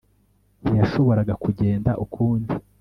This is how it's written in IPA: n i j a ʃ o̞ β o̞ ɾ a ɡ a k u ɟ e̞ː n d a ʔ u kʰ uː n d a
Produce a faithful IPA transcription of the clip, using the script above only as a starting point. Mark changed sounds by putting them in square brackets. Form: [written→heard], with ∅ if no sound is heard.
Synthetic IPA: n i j a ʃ o̞ β o̞ ɾ a ɡ a k u ɟ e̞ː n d a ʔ u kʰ uː n d [a→i]